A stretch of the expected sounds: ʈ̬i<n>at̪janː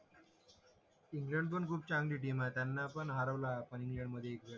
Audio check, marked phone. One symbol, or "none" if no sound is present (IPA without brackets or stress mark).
m